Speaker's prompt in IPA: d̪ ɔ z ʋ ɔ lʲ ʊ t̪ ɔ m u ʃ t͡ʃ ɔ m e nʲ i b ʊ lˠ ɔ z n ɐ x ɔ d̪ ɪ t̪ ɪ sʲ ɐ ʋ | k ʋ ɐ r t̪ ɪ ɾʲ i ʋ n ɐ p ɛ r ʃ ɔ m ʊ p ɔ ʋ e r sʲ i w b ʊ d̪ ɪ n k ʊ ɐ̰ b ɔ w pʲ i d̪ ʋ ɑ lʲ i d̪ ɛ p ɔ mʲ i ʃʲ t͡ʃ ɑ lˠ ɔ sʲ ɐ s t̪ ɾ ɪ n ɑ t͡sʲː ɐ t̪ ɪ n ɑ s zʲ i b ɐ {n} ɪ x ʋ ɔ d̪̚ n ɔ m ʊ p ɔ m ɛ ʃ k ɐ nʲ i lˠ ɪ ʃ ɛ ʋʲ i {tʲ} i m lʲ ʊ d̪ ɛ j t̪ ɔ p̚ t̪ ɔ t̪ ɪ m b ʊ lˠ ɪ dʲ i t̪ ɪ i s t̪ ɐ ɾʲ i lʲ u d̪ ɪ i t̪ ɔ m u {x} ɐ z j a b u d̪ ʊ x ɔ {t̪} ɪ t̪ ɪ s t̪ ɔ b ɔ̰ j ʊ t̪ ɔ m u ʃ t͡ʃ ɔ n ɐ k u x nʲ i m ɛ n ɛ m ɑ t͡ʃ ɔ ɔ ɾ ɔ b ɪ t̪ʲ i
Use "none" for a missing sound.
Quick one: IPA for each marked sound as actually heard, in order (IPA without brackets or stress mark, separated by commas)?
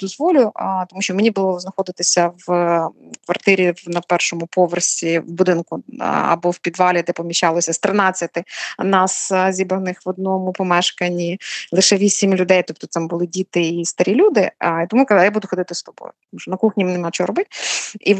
n, sʲ, k, d̪